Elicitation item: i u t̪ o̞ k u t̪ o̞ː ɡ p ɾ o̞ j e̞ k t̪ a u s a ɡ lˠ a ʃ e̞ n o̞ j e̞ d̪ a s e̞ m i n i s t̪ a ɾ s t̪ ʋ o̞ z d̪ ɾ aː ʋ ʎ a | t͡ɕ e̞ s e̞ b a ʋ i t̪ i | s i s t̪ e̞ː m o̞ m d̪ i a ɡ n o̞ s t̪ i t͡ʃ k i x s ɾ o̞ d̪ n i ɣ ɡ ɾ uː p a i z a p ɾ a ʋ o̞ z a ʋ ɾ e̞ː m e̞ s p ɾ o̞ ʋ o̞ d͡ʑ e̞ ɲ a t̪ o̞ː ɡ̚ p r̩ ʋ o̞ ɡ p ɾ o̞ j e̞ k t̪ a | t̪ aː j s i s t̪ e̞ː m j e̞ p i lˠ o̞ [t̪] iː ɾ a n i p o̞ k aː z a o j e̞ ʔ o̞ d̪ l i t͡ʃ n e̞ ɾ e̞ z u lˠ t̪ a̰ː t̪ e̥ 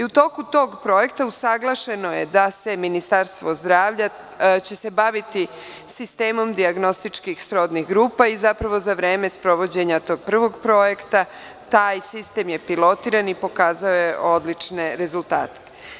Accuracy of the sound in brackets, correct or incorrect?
correct